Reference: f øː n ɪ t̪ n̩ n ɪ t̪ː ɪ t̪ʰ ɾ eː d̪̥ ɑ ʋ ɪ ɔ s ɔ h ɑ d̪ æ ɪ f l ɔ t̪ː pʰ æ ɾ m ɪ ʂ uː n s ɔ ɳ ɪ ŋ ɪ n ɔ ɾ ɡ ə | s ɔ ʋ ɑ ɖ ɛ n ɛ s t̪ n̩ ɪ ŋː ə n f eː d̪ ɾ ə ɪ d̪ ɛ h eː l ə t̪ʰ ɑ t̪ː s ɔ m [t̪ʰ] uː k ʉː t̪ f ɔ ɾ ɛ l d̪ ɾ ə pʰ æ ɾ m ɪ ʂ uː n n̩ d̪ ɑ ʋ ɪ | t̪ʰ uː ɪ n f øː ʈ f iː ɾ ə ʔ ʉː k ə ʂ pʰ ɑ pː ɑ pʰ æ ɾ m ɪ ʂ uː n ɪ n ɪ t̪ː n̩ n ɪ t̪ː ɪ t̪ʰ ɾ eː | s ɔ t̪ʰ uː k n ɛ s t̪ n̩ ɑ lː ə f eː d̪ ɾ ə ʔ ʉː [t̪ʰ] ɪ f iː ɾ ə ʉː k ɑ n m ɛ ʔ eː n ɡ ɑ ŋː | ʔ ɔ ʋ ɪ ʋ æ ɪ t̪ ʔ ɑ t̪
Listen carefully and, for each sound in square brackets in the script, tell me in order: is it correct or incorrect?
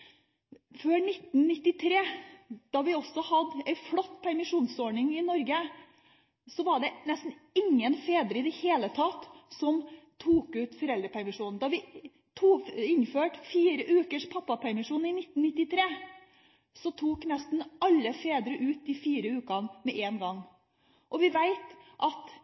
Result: correct, incorrect

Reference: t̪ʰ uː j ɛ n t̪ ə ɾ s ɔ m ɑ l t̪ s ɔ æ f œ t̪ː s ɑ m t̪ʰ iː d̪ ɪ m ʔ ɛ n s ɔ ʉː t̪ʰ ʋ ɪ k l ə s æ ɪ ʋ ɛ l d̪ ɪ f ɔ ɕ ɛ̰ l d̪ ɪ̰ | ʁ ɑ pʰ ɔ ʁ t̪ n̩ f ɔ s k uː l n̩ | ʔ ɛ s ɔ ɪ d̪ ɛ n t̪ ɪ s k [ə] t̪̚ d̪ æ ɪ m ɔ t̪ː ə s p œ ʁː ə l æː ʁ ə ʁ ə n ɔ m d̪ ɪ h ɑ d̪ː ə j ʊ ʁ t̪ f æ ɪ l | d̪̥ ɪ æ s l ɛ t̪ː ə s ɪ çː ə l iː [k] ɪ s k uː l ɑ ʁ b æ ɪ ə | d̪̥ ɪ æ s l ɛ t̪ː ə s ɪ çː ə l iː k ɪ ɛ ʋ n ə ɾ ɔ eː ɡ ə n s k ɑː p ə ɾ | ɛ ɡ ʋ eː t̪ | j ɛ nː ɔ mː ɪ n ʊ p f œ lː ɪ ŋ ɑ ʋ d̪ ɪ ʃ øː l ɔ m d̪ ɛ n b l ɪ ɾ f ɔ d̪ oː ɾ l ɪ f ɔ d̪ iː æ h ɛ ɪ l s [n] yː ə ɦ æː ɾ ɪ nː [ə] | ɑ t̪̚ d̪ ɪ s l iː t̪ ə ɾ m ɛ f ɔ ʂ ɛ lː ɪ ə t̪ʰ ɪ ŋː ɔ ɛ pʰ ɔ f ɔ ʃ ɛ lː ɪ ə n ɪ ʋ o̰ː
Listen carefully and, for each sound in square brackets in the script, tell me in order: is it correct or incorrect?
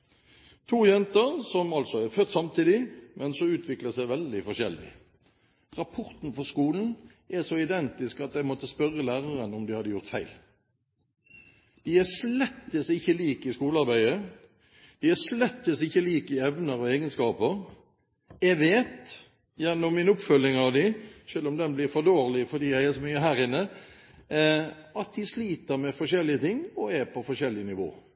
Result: incorrect, correct, incorrect, correct

